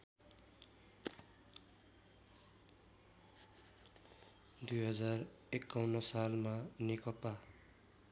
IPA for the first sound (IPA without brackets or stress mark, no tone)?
d̪